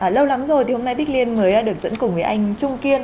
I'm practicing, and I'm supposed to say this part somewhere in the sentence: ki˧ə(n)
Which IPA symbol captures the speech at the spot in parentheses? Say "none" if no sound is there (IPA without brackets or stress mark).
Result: n